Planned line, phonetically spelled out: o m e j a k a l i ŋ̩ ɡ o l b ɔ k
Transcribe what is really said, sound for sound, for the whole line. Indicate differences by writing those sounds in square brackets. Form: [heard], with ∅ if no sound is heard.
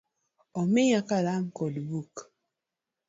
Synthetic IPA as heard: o m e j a k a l [a] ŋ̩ [k] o l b [u] k